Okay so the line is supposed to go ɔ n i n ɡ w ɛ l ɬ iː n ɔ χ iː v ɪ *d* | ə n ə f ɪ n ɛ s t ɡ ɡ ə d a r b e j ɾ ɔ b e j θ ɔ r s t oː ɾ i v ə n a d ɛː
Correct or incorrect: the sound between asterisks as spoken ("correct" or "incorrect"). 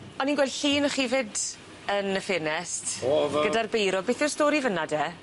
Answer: correct